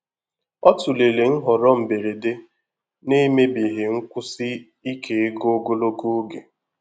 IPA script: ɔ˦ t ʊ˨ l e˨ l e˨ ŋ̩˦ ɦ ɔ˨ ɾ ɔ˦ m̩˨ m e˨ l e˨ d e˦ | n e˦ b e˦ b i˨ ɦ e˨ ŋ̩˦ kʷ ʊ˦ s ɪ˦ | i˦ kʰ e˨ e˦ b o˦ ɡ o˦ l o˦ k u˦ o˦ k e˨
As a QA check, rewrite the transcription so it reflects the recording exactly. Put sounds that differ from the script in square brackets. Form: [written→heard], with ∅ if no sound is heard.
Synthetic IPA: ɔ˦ t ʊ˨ l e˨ l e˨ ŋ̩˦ ɦ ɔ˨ ɾ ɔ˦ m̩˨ [m→b] e˨ [l→ɾ] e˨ d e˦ | n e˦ [b→m] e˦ b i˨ ɦ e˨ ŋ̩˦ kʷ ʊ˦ s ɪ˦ | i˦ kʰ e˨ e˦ [b→ɡ] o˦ ɡ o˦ l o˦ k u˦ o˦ [k→ɡ] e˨